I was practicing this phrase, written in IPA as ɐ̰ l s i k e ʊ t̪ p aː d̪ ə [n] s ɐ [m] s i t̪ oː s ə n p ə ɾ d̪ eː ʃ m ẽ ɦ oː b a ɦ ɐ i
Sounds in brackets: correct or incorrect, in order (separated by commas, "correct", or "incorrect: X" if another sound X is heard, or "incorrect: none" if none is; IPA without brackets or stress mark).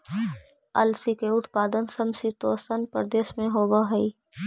correct, correct